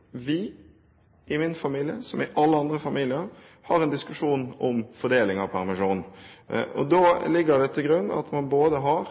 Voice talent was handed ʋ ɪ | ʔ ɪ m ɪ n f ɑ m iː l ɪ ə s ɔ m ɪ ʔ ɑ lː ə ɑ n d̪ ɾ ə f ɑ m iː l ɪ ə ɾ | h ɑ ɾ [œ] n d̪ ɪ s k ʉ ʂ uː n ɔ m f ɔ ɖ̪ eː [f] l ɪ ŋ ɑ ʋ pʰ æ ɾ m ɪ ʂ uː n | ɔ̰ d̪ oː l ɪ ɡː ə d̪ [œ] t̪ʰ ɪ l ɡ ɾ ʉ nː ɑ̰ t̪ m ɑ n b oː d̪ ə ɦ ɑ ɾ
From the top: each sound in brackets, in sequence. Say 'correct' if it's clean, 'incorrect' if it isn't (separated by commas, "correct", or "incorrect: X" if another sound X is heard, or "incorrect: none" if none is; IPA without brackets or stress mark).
incorrect: ɛ, incorrect: none, incorrect: ɛ